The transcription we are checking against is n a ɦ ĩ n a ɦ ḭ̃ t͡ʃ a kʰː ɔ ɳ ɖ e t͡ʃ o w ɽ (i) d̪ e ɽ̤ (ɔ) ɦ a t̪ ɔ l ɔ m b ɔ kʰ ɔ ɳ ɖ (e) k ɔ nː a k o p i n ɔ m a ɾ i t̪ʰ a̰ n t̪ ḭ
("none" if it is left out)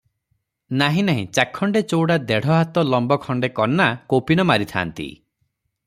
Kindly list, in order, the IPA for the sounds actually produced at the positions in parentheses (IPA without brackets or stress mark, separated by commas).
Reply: a, ɔ, e